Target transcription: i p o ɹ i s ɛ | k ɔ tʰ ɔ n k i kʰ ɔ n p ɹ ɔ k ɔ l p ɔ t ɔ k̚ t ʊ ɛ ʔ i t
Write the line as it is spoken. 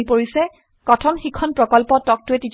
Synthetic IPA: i p o ɹ i s ɛ | k ɔ tʰ ɔ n x i kʰ ɔ n p ɹ ɔ k ɔ l p ɔ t ɔ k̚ t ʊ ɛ t i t